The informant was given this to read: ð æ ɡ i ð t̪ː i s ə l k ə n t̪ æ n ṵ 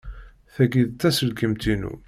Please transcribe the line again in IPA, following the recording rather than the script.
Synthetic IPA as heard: θ æ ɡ i ð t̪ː æ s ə l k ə m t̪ i n ṵ